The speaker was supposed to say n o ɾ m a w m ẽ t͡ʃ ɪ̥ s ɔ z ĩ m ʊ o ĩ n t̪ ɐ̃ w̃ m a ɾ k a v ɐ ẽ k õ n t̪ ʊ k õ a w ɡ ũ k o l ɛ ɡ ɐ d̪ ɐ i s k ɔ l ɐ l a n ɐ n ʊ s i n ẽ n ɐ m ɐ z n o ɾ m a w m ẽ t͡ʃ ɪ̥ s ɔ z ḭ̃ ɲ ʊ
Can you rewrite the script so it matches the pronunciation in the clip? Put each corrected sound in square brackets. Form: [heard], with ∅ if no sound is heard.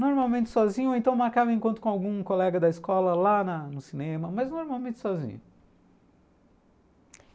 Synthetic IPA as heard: n o ɾ m a w m ẽ t͡ʃ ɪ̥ s ɔ z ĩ [ɲ] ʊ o [ẽ] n t̪ ɐ̃ w̃ m a ɾ k a v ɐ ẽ k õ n t̪ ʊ k õ a w ɡ ũ k o l ɛ ɡ ɐ d̪ ɐ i s k ɔ l ɐ l a n ɐ n ʊ s i n ẽ [m] ɐ m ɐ z n o ɾ m a w m ẽ t͡ʃ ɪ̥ s ɔ z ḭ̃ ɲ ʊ